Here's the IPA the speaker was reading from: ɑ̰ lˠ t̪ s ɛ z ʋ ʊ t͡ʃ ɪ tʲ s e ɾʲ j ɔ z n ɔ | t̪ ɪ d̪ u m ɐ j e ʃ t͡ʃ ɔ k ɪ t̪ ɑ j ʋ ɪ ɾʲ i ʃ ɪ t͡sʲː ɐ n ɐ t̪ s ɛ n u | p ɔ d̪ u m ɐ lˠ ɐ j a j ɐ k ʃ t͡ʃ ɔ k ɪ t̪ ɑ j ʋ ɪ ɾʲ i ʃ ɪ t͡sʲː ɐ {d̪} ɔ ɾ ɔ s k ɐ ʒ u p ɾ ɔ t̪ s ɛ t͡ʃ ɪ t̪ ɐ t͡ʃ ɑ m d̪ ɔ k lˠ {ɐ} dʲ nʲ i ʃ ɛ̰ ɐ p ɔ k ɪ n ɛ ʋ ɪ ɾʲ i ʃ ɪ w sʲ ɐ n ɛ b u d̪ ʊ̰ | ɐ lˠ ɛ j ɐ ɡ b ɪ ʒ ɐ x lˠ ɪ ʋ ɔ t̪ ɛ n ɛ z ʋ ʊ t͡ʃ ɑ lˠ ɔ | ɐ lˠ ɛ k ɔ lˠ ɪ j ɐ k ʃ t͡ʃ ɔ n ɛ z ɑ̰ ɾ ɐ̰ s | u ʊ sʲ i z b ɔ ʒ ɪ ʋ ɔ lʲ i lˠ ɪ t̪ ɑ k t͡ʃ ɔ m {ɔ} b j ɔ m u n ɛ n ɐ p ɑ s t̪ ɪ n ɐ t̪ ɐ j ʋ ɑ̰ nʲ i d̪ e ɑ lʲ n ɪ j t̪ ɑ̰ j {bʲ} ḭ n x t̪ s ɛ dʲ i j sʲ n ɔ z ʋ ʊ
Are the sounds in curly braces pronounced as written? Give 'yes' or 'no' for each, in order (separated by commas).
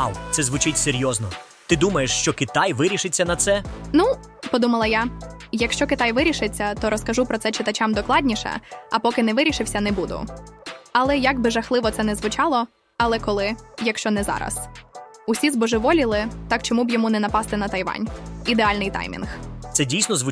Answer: no, no, no, no